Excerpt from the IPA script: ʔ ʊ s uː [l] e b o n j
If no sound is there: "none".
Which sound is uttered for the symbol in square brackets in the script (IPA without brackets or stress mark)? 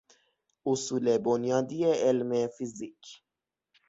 l